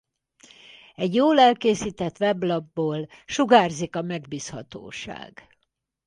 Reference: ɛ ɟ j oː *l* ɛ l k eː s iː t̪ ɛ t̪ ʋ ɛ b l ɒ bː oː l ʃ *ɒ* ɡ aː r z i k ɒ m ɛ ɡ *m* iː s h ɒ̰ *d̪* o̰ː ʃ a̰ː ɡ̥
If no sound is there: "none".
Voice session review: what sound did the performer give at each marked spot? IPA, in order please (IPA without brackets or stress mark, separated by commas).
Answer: l, u, b, t̪